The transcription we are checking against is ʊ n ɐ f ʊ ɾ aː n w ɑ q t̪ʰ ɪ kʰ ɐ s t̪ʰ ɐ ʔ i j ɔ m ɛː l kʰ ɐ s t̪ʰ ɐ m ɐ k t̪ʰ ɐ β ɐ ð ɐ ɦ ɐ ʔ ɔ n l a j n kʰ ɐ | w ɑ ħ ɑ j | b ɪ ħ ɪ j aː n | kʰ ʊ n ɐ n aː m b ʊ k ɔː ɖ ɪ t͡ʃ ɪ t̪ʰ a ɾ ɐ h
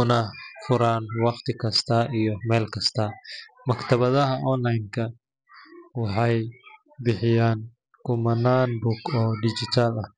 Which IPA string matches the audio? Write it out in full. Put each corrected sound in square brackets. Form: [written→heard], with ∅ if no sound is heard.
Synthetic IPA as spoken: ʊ n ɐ f ʊ ɾ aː n w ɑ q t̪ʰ ɪ kʰ ɐ s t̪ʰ ɐ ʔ i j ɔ m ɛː l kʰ ɐ s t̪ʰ ɐ m ɐ k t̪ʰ ɐ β ɐ ð ɐ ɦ ɐ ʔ ɔ n l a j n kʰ ɐ | w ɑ ħ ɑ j | b ɪ ħ ɪ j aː n | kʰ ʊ [n→m] ɐ n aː [m→n] b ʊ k ɔː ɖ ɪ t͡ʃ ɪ t̪ʰ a [ɾ→l] ɐ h